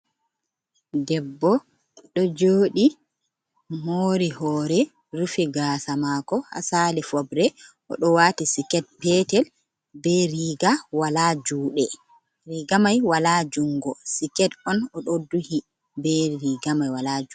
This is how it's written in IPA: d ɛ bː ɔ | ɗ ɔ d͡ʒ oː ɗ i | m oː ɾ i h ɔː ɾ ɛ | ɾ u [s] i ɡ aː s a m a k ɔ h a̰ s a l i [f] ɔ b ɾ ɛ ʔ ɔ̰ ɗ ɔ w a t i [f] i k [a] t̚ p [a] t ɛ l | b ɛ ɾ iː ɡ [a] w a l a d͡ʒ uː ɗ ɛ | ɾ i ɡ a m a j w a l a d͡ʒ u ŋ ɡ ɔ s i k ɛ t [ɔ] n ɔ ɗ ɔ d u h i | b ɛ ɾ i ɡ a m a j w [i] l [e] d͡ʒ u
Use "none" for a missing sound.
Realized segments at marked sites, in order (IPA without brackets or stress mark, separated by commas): f, f, s, ɛ, ɛ, a, ɔ, a, a